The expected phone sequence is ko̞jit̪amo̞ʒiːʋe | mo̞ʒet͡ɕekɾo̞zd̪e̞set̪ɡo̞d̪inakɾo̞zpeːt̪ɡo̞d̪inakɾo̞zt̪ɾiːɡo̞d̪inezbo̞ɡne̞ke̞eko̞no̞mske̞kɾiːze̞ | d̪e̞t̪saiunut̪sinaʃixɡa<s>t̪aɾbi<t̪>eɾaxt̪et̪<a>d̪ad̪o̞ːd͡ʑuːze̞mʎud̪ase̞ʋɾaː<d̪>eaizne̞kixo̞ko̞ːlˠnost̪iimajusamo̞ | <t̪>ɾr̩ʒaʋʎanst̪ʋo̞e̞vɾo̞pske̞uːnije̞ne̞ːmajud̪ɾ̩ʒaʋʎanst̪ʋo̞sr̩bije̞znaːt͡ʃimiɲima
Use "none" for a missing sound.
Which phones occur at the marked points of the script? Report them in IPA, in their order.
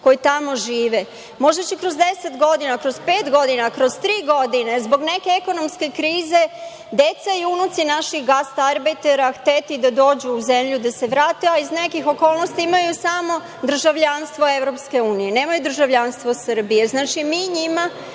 s, t̪, i, t̪, d̪

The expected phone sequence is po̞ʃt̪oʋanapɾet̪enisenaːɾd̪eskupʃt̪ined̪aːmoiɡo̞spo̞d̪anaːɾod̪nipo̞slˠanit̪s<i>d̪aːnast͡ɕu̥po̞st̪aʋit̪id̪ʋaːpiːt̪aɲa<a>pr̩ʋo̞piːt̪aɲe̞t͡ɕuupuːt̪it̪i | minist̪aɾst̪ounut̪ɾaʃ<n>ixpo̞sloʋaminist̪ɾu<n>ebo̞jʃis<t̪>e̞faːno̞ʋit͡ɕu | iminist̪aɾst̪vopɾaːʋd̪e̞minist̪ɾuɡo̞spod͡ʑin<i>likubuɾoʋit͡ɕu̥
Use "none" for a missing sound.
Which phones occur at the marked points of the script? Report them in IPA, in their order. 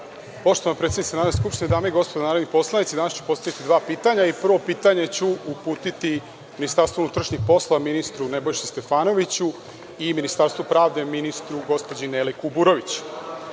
i, i, ɲ, n, t̪, e

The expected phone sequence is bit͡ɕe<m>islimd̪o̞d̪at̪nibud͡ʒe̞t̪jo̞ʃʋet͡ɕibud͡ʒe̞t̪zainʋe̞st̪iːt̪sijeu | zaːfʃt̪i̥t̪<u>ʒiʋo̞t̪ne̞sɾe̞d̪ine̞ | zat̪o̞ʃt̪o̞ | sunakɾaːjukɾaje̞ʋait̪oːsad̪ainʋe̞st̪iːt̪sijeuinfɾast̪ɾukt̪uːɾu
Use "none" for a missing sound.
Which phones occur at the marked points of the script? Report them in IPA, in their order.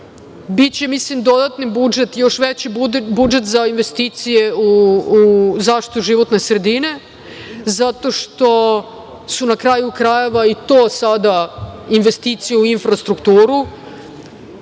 m, u

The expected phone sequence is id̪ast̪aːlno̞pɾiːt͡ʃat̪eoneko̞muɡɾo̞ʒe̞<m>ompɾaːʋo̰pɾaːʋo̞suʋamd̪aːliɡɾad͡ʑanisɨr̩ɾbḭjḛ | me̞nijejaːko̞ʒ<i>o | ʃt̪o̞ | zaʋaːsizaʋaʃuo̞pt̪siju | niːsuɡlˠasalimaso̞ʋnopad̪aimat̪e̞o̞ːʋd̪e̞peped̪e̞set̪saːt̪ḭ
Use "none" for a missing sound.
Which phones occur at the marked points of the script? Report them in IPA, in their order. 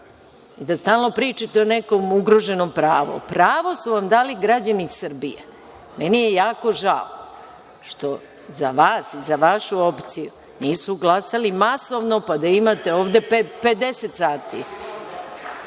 n, a

